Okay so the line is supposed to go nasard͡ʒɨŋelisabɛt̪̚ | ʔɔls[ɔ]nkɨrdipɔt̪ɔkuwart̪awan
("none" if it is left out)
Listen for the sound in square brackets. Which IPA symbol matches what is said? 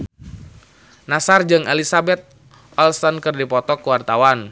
ɔ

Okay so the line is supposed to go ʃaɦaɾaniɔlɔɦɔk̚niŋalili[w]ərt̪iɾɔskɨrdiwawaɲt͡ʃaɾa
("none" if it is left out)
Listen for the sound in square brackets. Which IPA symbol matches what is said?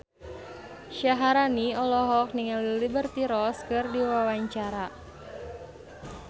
b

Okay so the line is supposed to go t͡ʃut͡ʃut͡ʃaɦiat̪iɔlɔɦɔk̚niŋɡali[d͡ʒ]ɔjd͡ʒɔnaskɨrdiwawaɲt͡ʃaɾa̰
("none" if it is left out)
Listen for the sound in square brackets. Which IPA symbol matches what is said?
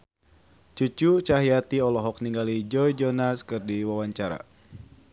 d͡ʒ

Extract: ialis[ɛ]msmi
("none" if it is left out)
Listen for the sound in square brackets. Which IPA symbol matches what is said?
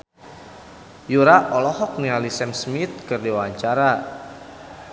ɛ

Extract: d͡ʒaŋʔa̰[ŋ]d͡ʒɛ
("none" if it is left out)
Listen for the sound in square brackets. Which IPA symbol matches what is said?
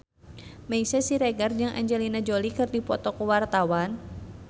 ɲ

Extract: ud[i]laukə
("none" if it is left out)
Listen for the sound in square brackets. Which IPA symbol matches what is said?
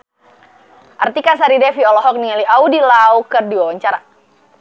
i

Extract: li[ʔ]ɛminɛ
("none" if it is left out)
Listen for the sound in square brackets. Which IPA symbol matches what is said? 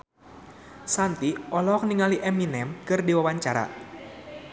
ʔ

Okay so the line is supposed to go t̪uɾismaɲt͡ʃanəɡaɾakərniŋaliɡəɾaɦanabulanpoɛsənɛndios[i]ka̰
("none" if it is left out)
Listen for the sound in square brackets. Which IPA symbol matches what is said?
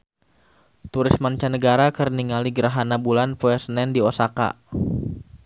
a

